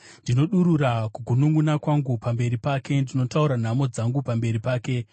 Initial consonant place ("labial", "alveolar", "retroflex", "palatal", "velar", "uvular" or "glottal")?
alveolar